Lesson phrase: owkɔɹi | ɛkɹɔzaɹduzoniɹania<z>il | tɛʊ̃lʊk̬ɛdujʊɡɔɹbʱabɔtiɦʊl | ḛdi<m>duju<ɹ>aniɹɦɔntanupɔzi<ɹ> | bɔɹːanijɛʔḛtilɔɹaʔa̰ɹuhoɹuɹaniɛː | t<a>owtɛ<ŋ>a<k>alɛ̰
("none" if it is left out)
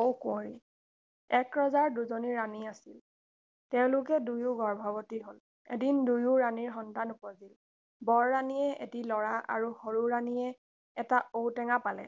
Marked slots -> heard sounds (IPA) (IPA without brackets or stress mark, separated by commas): s, n, ɹ, l, a, ŋ, p